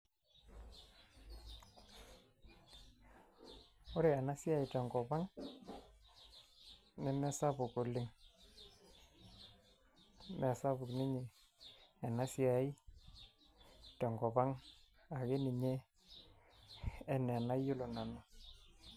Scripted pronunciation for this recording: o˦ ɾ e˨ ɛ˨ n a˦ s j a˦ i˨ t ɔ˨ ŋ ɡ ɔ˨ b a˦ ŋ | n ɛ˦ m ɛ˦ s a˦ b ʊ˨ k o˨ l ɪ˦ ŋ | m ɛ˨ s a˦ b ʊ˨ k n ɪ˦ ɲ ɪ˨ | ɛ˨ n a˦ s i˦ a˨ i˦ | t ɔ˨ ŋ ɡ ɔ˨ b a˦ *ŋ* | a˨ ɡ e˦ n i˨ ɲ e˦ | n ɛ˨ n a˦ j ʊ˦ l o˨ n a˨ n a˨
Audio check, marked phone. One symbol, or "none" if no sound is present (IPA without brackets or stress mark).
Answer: ŋ